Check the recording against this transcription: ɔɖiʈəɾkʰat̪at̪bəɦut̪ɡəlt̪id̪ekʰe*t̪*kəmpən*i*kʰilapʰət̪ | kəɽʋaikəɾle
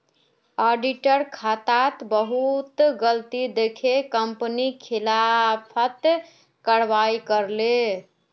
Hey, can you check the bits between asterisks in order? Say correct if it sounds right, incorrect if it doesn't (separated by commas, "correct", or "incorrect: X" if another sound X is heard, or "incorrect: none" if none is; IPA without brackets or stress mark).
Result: incorrect: none, correct